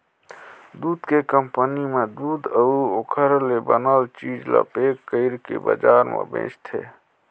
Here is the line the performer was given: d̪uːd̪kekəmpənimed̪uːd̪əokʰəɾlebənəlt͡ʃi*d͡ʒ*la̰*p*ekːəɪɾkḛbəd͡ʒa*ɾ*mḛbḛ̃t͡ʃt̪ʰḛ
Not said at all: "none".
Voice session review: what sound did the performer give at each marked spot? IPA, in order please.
d͡ʒ, p, ɾ

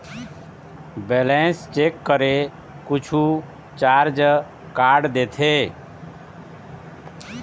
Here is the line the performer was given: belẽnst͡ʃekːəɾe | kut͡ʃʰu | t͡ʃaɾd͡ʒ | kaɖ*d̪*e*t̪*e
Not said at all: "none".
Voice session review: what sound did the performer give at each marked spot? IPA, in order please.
d̪, t̪ʰ

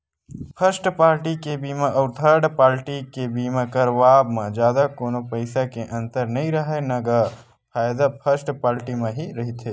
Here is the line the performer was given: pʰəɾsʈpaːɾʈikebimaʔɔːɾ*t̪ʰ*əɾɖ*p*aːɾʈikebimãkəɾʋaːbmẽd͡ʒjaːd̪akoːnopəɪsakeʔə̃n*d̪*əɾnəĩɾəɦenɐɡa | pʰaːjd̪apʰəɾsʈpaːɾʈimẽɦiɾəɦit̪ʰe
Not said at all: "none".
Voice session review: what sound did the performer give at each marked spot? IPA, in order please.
t̪ʰ, p, t̪

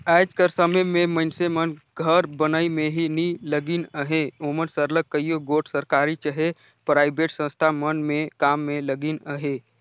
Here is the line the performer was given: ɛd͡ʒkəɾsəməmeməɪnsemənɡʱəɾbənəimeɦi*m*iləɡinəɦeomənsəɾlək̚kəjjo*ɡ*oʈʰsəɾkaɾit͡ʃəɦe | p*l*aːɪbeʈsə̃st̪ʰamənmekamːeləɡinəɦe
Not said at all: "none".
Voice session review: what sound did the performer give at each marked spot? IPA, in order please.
n, ɡ, ɾ

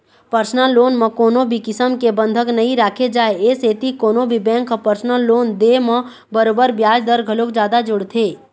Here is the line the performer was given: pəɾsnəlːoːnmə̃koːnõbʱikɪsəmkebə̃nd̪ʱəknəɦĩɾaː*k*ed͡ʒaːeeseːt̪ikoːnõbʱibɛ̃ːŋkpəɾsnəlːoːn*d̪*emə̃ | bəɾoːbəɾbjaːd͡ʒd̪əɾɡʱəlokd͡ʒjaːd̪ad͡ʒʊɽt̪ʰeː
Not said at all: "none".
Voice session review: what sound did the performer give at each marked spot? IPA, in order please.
kʰ, d̪

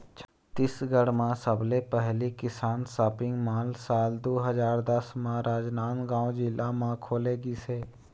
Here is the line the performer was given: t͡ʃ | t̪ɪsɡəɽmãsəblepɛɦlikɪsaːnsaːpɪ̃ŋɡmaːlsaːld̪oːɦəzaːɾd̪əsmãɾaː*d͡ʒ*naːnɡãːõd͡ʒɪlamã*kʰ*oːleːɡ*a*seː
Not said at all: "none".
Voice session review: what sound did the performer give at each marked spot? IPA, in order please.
d͡ʒ, kʰ, i

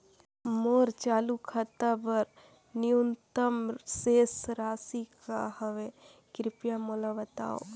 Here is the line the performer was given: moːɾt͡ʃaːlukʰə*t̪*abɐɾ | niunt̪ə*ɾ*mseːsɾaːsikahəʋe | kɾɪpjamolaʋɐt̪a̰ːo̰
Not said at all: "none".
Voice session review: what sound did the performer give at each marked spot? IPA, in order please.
t̪, none

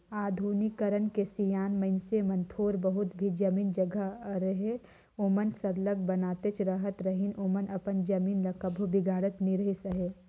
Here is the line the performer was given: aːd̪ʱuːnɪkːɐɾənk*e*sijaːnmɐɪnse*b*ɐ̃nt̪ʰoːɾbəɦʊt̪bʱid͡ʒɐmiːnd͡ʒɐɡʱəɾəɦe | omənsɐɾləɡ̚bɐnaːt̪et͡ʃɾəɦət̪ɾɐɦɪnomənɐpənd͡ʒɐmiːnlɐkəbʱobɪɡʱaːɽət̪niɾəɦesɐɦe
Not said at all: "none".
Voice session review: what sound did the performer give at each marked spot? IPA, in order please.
e, m

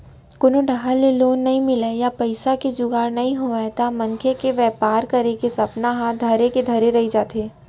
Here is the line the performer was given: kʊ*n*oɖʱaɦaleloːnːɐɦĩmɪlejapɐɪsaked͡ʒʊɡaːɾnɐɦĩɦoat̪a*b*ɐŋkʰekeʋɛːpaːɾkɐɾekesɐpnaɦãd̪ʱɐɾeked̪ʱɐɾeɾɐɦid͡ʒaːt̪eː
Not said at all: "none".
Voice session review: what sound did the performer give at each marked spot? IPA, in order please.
n, m

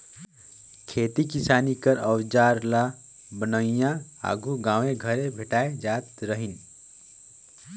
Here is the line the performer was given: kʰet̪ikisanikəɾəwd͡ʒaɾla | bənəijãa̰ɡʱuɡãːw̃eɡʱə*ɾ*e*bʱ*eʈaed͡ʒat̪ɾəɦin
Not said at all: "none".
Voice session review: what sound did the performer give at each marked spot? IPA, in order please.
ɾ, bʱ

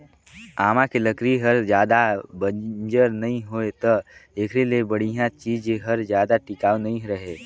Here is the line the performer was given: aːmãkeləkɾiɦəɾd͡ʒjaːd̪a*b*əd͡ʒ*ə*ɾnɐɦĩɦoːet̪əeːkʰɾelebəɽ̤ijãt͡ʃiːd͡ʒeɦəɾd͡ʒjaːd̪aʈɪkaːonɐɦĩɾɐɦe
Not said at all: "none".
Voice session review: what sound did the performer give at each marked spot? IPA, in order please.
b, ə

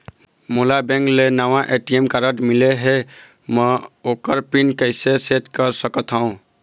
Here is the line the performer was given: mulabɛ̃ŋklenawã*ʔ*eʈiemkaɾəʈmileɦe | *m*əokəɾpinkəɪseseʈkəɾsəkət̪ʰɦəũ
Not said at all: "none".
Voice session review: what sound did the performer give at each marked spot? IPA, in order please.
ʔ, m

